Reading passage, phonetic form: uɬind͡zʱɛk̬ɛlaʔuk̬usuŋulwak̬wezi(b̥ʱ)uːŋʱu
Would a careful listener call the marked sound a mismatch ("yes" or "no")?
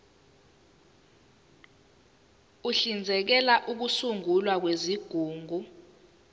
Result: yes